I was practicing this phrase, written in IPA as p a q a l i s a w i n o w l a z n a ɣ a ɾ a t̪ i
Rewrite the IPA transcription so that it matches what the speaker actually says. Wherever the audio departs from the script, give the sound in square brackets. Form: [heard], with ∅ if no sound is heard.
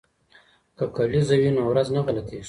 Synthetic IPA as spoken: [k] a [k] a l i [z] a w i n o w [ɾ] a z n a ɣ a [l] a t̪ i